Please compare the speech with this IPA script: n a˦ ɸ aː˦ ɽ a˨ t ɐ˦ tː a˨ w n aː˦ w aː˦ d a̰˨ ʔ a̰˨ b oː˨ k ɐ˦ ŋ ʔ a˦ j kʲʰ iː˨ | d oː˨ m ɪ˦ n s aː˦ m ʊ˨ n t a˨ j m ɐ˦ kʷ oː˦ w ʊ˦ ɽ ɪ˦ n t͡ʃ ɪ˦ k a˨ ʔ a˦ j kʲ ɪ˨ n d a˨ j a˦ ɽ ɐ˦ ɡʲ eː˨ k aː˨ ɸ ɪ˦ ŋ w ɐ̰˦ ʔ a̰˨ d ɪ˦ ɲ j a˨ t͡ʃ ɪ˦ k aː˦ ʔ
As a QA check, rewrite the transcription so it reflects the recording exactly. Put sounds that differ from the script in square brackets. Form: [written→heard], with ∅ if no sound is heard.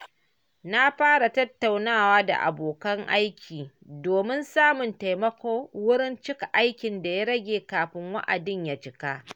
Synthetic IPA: n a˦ ɸ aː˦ ɽ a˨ t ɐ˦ tː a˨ w n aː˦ w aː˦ d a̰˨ ʔ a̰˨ b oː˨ k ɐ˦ ŋ ʔ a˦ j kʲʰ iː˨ | d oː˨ m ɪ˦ n s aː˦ m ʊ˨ n t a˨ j m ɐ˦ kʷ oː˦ w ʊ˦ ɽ ɪ˦ n t͡ʃ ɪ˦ k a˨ ʔ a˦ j kʲ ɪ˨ n d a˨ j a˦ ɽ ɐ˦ ɡʲ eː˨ k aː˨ ɸ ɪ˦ ŋ w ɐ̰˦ ʔ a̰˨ d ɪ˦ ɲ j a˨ t͡ʃ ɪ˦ k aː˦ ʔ